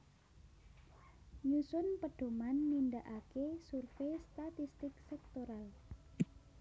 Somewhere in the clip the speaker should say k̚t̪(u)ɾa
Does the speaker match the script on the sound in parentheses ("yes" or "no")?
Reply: no